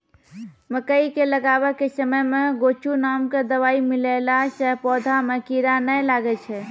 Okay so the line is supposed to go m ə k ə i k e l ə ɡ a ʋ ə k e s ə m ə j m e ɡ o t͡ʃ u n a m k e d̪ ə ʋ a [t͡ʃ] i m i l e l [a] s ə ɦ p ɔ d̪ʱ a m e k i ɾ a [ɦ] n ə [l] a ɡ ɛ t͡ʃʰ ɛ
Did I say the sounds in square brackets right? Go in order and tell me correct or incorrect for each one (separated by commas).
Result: incorrect, correct, incorrect, correct